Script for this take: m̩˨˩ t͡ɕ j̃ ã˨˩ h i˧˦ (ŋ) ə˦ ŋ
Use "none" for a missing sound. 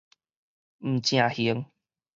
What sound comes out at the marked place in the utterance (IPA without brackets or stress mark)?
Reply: none